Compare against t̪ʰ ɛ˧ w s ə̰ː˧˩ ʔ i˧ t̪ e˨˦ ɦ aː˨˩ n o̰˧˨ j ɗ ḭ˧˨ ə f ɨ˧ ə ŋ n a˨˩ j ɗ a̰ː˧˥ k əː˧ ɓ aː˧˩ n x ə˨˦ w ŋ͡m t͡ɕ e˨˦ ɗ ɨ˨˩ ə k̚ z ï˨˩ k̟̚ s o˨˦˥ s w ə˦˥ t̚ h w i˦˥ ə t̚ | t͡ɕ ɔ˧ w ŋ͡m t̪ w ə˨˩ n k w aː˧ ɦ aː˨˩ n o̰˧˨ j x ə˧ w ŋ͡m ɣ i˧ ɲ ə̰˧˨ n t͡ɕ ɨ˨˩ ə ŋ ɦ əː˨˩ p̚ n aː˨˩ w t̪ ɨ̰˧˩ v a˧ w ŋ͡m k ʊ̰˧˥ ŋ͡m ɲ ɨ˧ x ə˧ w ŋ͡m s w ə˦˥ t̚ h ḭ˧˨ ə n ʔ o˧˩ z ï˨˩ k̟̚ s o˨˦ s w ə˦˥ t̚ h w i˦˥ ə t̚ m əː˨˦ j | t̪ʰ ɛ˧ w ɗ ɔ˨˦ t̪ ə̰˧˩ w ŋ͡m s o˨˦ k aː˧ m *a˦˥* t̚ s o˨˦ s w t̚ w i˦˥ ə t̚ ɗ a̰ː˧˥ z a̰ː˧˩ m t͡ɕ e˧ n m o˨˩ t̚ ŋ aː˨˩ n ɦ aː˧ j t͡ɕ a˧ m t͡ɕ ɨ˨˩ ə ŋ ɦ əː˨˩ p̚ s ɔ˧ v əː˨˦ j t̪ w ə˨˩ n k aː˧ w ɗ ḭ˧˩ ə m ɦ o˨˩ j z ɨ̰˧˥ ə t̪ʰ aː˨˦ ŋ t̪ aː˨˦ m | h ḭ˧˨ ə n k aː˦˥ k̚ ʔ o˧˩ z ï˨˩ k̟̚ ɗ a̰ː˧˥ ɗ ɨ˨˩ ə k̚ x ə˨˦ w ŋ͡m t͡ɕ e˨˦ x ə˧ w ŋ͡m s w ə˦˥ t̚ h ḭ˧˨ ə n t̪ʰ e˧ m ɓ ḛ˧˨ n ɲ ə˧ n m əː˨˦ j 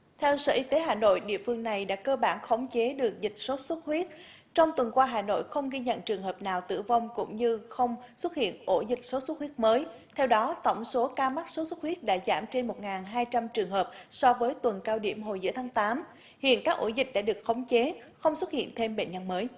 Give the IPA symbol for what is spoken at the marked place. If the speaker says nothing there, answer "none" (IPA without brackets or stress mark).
a˦˥